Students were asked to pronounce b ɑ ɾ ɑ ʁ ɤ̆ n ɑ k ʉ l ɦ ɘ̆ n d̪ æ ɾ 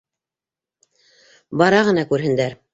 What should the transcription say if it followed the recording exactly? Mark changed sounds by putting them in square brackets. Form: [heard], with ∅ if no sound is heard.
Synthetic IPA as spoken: b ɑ ɾ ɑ ʁ ɤ̆ n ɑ k ʉ [ɾ] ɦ ɘ̆ n d̪ æ ɾ